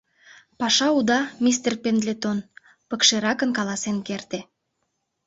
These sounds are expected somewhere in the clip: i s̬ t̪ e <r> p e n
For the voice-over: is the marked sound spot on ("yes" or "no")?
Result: yes